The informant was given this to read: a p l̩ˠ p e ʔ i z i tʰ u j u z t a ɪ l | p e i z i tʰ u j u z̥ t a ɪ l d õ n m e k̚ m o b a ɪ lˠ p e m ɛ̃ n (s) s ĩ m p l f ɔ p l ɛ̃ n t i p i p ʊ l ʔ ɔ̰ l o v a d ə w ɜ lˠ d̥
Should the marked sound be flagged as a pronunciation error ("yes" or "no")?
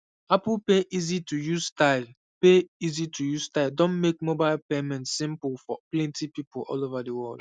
yes